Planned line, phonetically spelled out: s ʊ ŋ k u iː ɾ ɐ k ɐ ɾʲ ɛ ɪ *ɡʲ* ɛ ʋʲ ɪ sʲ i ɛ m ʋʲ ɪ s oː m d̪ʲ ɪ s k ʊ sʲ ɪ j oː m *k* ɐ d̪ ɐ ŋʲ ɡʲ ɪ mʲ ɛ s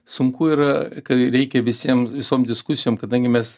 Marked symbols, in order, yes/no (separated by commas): no, yes